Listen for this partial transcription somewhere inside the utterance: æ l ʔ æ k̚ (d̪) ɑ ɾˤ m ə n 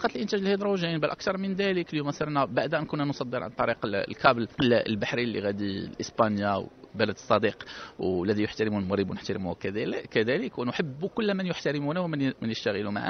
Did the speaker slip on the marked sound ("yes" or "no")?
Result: yes